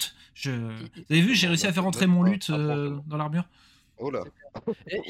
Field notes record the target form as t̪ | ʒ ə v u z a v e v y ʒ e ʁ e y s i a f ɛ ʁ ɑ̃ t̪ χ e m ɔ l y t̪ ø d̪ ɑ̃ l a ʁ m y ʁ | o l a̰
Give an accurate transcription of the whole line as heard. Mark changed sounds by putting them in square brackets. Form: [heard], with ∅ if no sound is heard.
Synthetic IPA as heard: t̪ | ʒ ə v u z a v e v y ʒ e ʁ e y s i a f ɛ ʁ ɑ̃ t̪ χ e m [ɔ̃] l y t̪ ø d̪ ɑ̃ l a ʁ m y ʁ | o l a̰